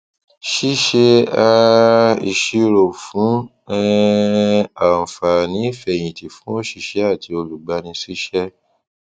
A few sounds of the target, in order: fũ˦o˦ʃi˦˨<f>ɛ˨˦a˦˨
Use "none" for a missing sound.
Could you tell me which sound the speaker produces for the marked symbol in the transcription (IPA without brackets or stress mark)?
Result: ʃ